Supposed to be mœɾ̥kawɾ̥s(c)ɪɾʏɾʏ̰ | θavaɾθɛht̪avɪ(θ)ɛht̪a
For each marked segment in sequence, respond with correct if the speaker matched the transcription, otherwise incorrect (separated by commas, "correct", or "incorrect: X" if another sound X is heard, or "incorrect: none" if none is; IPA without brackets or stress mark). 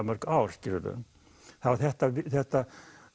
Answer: correct, correct